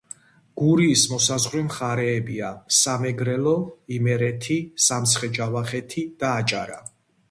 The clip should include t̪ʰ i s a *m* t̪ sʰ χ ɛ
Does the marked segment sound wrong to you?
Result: no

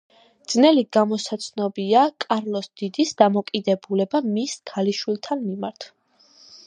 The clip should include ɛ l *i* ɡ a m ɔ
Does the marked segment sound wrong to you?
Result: no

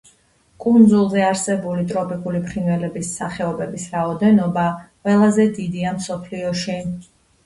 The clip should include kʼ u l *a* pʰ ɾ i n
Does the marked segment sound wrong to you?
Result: yes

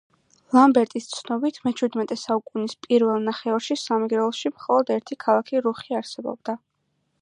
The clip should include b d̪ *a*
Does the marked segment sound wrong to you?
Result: no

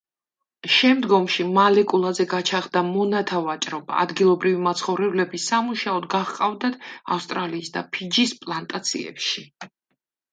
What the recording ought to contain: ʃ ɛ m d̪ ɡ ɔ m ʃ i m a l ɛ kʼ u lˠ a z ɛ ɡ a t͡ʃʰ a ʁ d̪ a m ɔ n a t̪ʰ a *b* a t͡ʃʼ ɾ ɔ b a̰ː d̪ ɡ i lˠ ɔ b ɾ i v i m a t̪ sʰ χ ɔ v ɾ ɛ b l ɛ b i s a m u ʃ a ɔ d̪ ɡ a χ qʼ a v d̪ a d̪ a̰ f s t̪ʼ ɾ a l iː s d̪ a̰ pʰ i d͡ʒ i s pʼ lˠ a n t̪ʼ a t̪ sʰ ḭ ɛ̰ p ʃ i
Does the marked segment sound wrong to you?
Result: yes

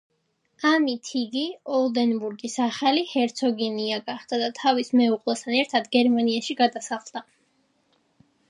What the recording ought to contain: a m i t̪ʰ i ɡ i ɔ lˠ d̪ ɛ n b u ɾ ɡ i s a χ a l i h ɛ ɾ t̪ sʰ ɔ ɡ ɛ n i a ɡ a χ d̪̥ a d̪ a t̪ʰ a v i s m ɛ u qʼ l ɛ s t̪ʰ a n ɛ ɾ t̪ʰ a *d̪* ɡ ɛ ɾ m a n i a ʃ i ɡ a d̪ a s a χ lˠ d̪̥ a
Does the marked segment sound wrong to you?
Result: no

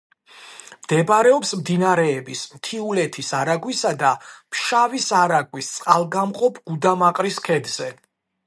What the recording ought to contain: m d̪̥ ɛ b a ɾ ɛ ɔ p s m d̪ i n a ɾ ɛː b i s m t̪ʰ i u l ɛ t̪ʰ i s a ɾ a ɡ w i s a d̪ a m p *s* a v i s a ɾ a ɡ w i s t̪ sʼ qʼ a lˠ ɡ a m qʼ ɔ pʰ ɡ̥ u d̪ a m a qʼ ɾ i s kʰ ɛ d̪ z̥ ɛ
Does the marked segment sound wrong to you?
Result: yes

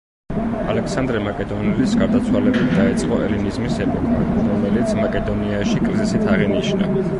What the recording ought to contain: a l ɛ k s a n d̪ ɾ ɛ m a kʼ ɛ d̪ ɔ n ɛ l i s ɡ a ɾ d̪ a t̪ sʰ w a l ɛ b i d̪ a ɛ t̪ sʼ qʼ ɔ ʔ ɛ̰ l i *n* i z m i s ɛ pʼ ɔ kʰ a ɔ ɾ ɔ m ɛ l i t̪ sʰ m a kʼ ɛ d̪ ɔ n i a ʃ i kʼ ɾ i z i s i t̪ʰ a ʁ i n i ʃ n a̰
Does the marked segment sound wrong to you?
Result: no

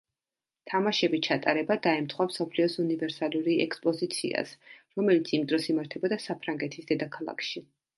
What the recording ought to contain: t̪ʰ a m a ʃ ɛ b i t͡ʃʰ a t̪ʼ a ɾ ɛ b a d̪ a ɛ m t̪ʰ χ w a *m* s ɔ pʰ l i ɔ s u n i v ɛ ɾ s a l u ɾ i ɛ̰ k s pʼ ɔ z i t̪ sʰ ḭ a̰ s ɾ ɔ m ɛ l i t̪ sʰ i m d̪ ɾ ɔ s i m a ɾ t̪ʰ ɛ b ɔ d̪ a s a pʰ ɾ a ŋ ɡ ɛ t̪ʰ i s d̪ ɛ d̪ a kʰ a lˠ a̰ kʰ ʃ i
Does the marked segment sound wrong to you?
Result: no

